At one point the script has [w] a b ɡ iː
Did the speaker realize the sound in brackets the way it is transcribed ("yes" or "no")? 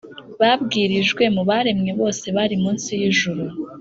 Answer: no